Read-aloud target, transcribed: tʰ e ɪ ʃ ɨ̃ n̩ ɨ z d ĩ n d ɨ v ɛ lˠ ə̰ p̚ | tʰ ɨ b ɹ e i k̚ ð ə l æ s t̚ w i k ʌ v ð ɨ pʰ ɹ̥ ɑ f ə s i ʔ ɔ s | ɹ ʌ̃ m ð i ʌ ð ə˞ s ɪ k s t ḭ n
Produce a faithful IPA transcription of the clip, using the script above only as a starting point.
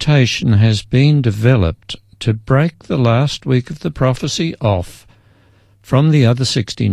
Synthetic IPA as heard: tʰ e ɪ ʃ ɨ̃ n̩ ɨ z b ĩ n d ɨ v ɛ lˠ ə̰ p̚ | tʰ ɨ b ɹ e ɪ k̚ ð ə l æ s t̚ w i k ʌ v ð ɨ pʰ ɹ̥ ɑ f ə s i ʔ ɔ f | ɹ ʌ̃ m ð i ʌ ð ə˞ s ɪ k s t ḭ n